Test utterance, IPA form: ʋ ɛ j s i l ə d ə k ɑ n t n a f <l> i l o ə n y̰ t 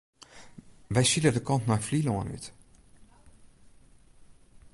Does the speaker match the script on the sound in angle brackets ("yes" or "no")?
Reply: yes